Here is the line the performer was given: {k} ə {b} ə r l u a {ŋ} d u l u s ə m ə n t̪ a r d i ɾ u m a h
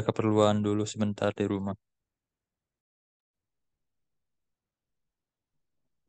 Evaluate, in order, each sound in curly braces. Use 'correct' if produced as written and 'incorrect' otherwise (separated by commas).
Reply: correct, incorrect, incorrect